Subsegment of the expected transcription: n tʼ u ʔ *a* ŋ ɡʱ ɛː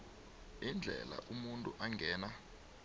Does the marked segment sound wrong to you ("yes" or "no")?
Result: no